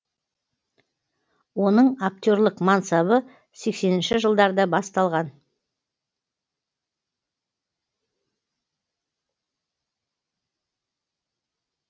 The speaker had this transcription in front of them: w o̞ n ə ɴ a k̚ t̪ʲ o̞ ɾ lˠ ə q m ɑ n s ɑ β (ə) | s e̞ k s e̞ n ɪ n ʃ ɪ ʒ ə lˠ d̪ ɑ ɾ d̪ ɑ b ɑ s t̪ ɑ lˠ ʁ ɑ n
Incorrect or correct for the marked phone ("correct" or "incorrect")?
correct